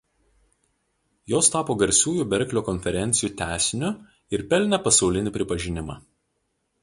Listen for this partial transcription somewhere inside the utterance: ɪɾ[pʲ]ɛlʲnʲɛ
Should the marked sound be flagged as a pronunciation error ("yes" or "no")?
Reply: no